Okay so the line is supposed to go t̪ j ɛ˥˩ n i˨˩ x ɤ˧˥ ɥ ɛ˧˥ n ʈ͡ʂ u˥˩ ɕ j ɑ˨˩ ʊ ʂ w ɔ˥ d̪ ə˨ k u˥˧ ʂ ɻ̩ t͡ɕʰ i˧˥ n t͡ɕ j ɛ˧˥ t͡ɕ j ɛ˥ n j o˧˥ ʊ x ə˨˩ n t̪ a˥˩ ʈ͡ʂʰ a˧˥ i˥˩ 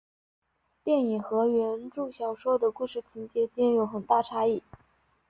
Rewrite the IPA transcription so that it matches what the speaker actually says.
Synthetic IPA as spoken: t̪ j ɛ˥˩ n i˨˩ x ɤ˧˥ ɥ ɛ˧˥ n ʈ͡ʂ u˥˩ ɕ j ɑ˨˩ ʊ ʂ w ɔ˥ d̪ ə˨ k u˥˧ ʂ ɻ̩ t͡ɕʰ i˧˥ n t͡ɕ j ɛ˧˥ t͡ɕ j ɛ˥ n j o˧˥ ʊ x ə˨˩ n t̪ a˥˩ ʈ͡ʂʰ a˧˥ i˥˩